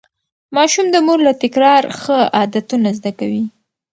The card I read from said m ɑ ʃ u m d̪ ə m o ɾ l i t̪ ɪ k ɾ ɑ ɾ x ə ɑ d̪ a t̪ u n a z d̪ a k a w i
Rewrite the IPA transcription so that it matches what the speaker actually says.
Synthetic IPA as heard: m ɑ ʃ u m d̪ ə m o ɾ l a t̪ ɪ k ɾ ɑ ɾ x ə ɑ d̪ a t̪ u n a z d̪ a k a w i